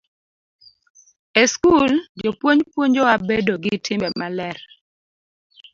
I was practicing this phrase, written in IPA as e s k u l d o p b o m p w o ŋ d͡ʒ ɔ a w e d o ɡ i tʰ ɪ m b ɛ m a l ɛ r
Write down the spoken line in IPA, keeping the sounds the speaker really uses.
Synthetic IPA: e s k u l d͡ʒ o p w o ɲ p w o ɲ d͡ʒ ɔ a b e d o ɡ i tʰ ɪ m b ɛ m a l ɛ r